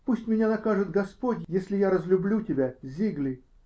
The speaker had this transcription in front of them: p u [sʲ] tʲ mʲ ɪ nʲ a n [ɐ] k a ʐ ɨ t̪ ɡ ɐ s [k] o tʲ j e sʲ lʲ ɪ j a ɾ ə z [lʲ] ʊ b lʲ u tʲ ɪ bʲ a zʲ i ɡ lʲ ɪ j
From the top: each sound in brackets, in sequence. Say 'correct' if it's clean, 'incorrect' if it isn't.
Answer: correct, correct, incorrect: p, correct

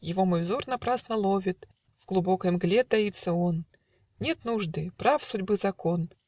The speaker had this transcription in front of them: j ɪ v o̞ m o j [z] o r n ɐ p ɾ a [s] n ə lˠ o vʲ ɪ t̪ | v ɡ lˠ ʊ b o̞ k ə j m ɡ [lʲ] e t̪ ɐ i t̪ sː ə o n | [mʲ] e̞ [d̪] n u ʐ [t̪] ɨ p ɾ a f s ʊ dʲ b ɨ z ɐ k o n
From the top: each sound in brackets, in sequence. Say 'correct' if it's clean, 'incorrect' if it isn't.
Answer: correct, correct, correct, incorrect: nʲ, incorrect: t̪, incorrect: d̪

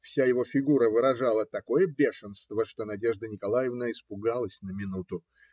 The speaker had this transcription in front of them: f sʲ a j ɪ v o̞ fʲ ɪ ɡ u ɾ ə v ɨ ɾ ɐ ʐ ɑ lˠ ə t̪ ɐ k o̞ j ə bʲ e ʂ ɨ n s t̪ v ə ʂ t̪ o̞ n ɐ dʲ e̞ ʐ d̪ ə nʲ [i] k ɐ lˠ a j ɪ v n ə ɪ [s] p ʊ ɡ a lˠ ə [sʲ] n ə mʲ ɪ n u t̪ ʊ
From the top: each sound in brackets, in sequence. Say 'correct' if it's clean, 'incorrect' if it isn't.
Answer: incorrect: ɪ, correct, correct

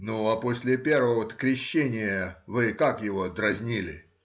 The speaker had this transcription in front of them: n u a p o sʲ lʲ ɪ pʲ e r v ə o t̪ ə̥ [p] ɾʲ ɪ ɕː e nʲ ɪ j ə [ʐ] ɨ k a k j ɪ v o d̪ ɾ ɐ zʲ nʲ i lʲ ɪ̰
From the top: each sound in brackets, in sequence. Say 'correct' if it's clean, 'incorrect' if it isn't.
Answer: incorrect: k, incorrect: v

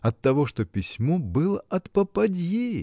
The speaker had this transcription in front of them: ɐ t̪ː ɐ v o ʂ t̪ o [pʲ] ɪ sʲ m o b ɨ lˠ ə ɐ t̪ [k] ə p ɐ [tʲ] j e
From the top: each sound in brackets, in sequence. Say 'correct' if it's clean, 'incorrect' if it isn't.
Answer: correct, incorrect: p, incorrect: dʲ

